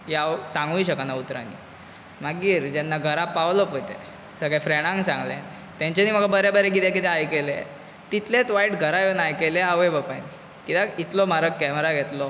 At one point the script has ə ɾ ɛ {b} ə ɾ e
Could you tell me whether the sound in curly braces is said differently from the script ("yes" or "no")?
no